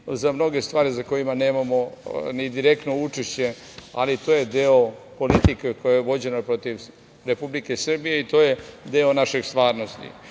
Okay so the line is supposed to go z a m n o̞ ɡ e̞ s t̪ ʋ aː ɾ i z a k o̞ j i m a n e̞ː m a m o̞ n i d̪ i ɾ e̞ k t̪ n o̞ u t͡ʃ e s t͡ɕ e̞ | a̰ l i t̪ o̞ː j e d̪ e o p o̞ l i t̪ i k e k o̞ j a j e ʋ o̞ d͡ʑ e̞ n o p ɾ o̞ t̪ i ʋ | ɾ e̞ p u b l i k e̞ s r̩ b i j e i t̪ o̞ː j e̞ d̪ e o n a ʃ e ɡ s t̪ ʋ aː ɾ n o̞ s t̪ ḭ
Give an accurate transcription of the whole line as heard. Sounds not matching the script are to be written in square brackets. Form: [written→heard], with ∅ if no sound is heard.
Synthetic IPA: z a m n o̞ ɡ e̞ s t̪ ʋ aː ɾ i z a k o̞ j i m a n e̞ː m a m o̞ n i d̪ i ɾ e̞ k t̪ n o̞ u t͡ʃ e [s→ʃ] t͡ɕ e̞ | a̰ l i t̪ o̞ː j e d̪ e o p o̞ l i t̪ i k e k o̞ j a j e ʋ o̞ d͡ʑ e̞ n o p ɾ o̞ t̪ i ʋ | ɾ e̞ p u b l i k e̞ s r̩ b i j e i t̪ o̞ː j e̞ d̪ e o n a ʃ e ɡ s t̪ ʋ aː ɾ n o̞ s t̪ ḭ